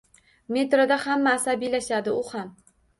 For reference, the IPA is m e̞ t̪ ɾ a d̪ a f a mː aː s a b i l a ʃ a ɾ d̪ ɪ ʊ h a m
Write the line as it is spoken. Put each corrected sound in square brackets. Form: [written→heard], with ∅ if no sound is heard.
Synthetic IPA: m e̞ t̪ ɾ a d̪ a [f→h] a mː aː s a b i l a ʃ a [ɾ→∅] d̪ ɪ ʊ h a m